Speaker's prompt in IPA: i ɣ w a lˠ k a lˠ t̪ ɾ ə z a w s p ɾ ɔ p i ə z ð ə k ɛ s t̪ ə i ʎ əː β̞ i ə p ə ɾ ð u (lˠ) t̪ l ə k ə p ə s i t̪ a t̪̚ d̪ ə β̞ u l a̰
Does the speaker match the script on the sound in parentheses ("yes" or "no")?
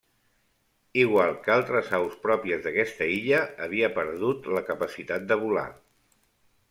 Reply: no